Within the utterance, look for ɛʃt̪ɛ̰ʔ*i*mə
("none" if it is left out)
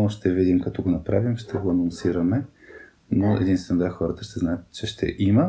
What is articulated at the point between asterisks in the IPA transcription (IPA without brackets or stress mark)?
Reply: i